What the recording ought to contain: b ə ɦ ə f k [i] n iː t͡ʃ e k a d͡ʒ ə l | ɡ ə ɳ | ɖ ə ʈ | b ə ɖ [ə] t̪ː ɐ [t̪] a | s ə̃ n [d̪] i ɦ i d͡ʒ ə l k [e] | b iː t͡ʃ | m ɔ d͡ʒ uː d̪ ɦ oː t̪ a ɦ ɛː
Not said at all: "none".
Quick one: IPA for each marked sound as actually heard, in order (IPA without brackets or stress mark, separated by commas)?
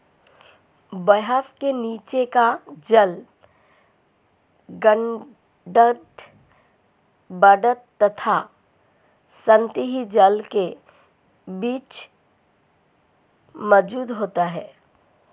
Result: e, ə, t̪ʰ, t̪, e